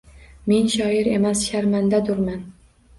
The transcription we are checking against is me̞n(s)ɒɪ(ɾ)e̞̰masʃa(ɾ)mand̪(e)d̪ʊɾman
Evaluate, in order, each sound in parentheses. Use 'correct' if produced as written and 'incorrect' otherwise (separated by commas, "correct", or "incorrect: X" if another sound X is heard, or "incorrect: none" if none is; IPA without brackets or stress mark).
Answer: incorrect: ʃ, correct, correct, incorrect: a